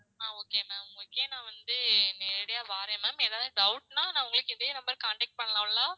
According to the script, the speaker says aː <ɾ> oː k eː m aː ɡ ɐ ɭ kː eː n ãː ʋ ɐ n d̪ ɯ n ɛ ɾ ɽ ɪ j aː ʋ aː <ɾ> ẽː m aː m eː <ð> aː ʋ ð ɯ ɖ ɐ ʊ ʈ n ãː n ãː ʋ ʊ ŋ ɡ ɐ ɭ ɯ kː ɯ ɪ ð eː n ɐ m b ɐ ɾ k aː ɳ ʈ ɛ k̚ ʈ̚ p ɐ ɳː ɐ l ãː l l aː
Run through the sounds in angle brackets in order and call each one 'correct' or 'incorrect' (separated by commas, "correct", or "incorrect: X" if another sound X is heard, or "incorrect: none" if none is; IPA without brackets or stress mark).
incorrect: none, correct, correct